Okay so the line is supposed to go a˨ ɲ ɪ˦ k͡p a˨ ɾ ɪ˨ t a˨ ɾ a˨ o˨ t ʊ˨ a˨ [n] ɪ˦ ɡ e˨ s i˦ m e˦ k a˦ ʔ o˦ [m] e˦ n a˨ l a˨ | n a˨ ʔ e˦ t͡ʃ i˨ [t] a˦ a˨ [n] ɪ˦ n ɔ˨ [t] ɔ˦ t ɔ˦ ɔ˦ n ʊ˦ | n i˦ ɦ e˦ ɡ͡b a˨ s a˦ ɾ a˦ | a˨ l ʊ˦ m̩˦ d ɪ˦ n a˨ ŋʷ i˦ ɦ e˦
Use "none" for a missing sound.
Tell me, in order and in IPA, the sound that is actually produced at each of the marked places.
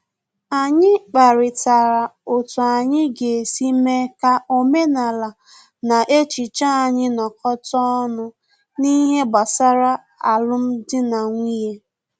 ɲ, m, t͡ʃ, ɲ, k

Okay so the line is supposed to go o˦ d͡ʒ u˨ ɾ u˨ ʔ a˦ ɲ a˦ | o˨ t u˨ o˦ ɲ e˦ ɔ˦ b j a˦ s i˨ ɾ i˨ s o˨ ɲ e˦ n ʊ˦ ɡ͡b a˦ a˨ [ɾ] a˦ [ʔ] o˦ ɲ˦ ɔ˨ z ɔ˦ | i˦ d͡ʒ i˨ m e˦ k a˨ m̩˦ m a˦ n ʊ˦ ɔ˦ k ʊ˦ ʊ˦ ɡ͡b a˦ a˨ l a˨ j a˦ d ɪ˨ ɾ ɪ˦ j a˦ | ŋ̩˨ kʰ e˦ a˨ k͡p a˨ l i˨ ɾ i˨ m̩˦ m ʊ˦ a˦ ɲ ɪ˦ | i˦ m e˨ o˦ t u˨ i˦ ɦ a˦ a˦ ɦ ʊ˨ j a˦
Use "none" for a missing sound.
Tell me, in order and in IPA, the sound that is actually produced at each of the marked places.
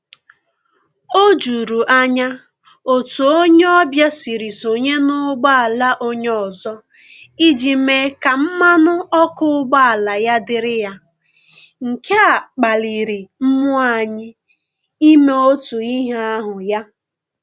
l, ʔ

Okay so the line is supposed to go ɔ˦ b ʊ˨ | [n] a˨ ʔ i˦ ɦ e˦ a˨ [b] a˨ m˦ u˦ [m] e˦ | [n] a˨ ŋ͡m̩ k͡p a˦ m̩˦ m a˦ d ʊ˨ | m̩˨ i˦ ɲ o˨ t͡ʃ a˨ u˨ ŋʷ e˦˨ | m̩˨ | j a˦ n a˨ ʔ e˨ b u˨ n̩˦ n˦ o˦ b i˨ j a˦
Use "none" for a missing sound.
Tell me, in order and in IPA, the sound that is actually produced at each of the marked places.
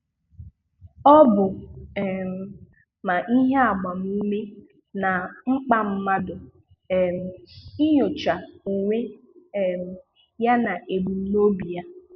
m, ɡ͡b, m, n

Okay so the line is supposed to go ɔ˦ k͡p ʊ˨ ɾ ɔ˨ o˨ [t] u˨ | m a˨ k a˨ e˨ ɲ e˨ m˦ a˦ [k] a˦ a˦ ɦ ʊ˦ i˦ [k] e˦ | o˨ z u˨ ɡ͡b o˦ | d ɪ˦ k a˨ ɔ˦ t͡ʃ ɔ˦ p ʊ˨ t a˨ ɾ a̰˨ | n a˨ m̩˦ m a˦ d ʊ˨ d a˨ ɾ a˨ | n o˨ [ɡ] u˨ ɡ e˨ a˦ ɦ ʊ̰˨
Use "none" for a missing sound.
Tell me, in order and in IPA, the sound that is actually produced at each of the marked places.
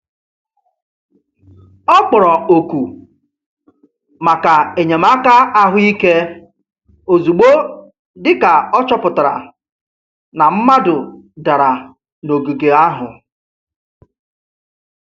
k, k, k, ɡ

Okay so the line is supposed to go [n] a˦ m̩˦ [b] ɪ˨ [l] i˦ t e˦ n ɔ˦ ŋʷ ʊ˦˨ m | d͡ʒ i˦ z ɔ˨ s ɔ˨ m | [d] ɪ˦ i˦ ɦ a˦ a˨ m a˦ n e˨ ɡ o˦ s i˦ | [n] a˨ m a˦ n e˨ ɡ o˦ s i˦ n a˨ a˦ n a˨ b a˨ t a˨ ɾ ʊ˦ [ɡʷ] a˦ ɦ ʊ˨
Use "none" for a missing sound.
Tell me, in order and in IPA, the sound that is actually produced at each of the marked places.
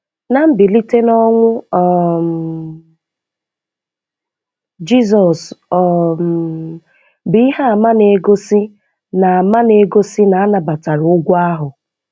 n, b, l, b, n, ɡʷ

